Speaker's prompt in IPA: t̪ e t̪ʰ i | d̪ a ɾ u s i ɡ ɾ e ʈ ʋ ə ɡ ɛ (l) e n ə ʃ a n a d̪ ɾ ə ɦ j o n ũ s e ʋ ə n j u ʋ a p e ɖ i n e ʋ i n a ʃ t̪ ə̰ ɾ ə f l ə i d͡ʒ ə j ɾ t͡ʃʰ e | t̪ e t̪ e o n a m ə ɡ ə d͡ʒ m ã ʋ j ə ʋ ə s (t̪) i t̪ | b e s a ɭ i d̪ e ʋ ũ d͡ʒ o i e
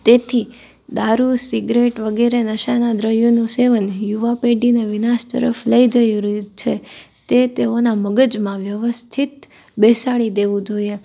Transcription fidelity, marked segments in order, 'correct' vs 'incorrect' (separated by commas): incorrect, incorrect